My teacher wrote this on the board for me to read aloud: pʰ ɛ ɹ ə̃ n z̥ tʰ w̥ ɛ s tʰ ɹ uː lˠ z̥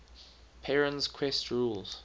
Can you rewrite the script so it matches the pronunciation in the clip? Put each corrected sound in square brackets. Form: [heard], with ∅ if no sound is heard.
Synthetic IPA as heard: pʰ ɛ ɹ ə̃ n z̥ [kʰ] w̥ ɛ s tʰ ɹ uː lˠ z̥